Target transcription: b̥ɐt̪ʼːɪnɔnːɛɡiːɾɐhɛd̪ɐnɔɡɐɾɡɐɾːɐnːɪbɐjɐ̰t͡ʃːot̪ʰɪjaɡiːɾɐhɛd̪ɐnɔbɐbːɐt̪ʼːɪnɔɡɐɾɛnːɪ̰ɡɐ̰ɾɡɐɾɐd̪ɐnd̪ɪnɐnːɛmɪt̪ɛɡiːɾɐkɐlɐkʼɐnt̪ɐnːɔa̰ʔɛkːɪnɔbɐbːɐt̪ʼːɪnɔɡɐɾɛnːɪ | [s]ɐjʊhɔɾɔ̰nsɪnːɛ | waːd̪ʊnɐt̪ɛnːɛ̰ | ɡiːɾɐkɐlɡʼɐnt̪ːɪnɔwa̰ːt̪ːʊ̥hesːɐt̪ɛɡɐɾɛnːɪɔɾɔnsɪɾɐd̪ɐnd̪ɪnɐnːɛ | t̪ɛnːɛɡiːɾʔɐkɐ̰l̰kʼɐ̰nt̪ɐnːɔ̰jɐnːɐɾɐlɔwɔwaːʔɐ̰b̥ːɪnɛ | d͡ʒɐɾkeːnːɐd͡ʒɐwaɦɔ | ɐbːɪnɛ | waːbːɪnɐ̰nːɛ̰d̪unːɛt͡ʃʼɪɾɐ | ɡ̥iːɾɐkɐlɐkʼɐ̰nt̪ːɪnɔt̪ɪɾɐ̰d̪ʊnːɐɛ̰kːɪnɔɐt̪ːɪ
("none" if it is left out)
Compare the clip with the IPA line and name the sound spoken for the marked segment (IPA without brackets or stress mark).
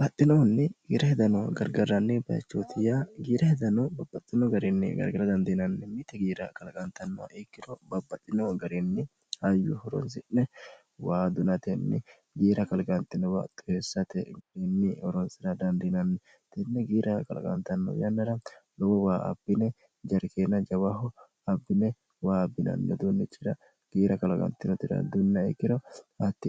h